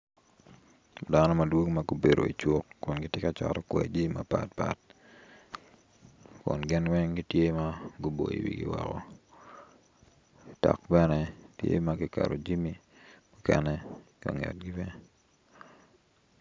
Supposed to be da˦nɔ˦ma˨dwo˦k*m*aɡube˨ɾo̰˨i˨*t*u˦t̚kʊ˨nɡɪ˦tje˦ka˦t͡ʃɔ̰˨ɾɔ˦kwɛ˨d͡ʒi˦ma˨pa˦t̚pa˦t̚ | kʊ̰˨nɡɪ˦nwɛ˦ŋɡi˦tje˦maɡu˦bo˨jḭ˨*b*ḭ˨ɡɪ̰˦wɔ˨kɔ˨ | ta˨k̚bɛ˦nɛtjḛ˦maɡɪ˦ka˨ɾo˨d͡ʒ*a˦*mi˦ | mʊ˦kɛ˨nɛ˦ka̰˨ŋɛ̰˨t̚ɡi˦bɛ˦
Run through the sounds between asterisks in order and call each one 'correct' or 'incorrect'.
correct, incorrect: t͡ʃ, incorrect: w, incorrect: i˦

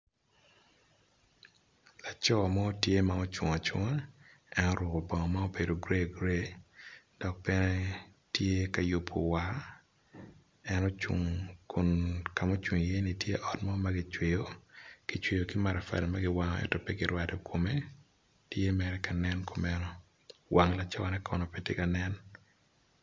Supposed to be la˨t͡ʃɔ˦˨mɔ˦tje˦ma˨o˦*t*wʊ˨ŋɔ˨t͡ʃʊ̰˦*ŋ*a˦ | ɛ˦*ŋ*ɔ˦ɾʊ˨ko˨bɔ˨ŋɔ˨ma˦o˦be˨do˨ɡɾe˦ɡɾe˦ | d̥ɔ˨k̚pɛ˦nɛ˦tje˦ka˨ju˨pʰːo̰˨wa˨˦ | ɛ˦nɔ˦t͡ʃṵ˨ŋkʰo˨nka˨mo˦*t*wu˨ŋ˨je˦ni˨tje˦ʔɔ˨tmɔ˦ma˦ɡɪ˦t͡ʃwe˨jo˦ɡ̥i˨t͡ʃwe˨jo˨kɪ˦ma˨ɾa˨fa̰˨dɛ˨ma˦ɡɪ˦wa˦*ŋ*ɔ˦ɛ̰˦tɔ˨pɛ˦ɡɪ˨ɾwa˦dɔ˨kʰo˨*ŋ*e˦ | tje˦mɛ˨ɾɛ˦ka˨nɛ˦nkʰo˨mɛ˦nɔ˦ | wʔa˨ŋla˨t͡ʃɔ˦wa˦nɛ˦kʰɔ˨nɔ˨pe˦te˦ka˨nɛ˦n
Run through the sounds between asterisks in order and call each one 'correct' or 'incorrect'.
incorrect: t͡ʃ, correct, incorrect: n, incorrect: t͡ʃ, correct, incorrect: m

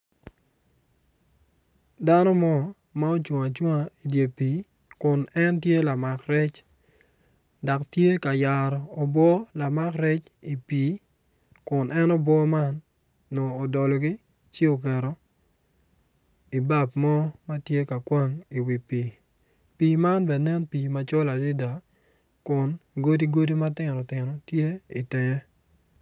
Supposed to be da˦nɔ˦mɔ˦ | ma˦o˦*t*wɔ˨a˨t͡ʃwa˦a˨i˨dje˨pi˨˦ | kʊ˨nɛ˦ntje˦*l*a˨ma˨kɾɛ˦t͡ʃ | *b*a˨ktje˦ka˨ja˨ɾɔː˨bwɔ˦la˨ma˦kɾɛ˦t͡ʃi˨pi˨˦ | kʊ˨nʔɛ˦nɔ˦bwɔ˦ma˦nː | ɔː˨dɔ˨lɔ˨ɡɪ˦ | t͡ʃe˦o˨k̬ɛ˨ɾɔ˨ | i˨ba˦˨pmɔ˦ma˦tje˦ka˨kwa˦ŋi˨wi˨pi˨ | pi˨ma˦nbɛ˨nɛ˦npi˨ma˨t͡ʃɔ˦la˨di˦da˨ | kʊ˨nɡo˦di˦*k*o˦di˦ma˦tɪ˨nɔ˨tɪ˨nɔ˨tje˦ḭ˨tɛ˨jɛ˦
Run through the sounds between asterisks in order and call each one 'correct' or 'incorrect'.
incorrect: t͡ʃ, correct, incorrect: d, incorrect: ɡ

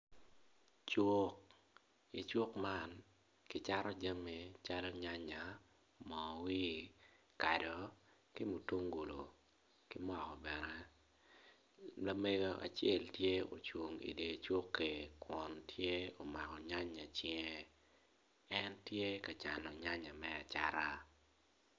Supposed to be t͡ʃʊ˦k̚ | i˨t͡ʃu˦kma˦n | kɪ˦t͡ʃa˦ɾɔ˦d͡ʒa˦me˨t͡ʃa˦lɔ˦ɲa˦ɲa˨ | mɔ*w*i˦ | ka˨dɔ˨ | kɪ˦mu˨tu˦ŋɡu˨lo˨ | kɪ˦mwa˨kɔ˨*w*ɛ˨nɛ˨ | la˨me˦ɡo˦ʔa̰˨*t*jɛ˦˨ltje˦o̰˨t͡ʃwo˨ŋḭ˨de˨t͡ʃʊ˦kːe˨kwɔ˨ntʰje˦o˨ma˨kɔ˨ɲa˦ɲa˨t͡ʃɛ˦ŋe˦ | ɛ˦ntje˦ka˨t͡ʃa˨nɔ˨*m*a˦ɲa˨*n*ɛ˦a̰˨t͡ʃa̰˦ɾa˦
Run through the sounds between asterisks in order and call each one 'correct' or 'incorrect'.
correct, incorrect: b, incorrect: t͡ʃ, incorrect: ɲ, incorrect: m

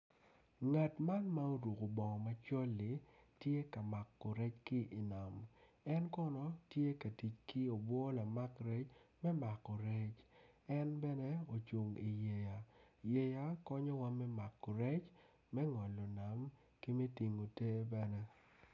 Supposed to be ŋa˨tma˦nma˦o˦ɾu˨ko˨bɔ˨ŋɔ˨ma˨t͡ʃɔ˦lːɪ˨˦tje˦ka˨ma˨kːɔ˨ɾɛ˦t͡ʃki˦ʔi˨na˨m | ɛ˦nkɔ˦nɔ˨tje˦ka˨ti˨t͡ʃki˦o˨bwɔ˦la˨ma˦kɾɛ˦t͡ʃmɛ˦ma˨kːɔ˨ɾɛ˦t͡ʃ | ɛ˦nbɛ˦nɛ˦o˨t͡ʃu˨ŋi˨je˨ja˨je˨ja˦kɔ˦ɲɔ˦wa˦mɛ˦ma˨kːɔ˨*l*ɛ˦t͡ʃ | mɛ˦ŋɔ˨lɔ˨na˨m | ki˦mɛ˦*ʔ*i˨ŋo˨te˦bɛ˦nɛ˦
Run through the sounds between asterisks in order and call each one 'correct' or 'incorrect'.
incorrect: ɾ, incorrect: t

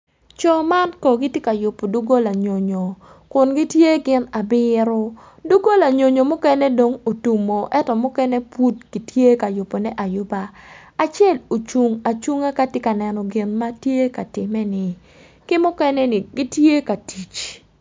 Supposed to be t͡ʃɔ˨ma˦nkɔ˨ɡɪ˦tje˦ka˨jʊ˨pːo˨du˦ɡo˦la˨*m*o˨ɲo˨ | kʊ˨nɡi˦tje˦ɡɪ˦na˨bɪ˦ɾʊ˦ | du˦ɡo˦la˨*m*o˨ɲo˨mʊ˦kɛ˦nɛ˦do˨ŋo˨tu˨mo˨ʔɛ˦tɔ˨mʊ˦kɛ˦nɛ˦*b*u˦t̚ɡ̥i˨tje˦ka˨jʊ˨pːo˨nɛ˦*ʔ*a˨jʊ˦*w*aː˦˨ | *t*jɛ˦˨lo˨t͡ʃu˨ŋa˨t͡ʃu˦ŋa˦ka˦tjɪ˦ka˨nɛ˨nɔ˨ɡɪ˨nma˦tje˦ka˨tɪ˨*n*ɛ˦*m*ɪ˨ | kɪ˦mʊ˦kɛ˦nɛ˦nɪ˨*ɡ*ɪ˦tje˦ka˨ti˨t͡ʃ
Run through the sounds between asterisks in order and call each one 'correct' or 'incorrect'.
incorrect: ɲ, incorrect: ɲ, incorrect: p, correct, incorrect: b, incorrect: t͡ʃ, incorrect: m, incorrect: n, correct

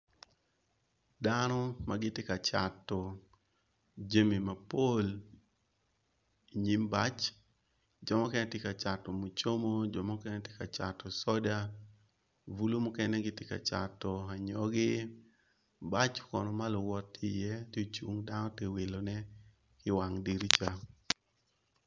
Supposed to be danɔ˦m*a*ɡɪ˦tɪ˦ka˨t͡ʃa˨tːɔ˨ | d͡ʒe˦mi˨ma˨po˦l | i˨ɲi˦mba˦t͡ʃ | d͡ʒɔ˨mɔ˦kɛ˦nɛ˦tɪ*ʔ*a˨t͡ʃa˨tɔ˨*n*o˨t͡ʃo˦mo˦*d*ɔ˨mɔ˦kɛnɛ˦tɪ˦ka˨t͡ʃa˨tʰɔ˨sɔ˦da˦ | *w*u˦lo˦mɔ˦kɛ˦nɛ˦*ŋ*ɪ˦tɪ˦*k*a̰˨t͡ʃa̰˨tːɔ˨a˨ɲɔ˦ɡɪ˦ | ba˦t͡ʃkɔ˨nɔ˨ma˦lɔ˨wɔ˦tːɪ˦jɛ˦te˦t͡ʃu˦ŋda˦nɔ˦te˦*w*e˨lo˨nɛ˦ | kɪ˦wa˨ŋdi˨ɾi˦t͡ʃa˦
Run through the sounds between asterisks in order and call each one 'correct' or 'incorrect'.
correct, incorrect: k, incorrect: m, incorrect: d͡ʒ, incorrect: v, incorrect: ɡ, correct, correct

